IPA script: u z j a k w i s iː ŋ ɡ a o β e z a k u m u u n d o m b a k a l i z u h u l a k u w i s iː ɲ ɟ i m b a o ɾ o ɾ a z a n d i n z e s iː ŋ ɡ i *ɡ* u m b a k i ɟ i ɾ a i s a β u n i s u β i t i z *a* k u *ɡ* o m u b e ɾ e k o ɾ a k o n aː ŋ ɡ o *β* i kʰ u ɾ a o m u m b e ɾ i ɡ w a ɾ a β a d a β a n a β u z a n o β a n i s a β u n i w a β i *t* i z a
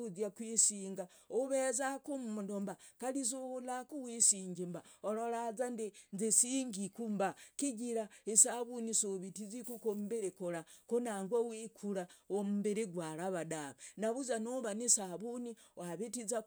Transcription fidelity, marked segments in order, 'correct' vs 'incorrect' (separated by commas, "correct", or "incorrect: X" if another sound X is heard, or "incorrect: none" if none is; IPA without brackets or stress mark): incorrect: k, incorrect: i, incorrect: k, incorrect: w, correct